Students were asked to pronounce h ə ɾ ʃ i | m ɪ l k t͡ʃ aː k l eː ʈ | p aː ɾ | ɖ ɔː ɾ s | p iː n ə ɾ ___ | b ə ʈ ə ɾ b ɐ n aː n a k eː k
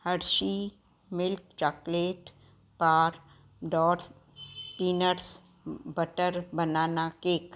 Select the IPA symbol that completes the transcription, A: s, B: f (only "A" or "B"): A